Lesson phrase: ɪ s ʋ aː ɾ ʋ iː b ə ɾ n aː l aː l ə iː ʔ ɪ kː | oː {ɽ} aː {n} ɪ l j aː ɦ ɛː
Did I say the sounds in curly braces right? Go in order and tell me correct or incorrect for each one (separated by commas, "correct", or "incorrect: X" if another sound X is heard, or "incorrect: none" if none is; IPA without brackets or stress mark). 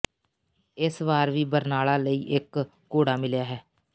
correct, incorrect: m